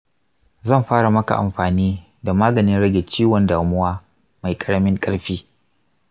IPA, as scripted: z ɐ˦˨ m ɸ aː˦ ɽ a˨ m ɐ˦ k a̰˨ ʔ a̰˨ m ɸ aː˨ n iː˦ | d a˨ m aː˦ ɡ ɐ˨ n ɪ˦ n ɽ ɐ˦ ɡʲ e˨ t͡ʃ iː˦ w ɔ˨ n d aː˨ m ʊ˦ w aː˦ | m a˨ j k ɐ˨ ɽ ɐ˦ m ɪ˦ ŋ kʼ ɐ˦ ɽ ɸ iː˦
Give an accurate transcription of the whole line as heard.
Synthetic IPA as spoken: z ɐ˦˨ m ɸ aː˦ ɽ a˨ m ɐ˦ k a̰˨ ʔ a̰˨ m ɸ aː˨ n iː˦ | d a˨ m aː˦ ɡ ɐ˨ n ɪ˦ n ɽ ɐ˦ ɡʲ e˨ t͡ʃ iː˦ w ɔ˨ n d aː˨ m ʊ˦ w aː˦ | m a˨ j kʼ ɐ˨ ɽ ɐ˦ m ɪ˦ ŋ kʼ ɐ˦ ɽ ɸ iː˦